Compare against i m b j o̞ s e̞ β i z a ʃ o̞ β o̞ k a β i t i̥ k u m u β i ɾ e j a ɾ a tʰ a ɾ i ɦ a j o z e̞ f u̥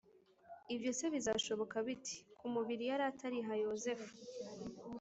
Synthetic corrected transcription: i b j o̞ s e̞ β i z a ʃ o̞ β o̞ k a β i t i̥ k u m u β i ɾ i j a ɾ a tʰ a ɾ i ɦ a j o z e̞ f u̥